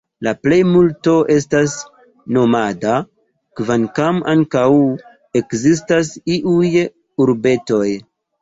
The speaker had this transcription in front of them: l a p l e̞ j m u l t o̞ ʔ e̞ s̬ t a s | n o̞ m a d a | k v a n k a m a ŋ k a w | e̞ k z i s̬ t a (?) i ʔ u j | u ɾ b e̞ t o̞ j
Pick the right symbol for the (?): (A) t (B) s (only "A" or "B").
B